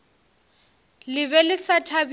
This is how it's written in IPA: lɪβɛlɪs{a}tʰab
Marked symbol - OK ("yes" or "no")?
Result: yes